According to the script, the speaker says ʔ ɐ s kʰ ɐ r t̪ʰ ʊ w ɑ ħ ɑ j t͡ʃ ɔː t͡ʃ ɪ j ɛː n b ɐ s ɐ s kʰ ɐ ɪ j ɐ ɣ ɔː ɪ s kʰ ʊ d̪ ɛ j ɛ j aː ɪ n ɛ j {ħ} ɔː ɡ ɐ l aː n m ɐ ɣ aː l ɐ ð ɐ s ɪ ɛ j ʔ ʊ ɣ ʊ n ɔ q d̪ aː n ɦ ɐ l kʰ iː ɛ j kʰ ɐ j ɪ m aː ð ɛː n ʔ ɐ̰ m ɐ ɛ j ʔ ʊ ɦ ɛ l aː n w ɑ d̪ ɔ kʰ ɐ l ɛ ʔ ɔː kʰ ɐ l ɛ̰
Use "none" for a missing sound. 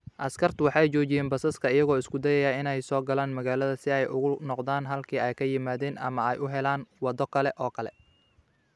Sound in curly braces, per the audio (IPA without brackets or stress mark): s